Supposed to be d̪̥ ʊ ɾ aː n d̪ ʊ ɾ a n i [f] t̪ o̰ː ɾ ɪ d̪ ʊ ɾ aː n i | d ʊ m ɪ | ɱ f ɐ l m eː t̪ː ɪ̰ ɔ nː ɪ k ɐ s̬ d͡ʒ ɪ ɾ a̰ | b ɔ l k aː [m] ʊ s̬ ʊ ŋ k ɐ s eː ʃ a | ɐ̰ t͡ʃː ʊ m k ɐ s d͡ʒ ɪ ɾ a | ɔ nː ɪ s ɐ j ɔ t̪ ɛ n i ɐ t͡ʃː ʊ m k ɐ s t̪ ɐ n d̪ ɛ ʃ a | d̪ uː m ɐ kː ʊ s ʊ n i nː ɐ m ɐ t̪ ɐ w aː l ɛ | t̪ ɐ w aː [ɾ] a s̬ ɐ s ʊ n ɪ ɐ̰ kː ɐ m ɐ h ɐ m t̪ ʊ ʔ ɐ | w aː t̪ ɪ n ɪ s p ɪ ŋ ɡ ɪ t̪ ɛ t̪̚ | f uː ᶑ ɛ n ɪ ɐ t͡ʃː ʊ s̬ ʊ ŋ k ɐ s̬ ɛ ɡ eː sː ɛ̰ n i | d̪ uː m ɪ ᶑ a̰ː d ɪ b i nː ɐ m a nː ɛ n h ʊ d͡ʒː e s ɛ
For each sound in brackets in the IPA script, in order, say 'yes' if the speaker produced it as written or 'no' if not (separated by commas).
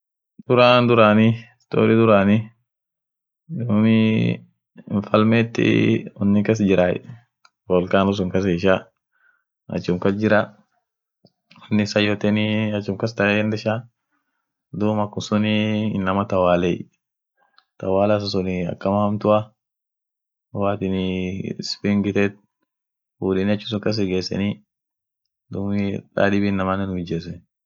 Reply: no, no, no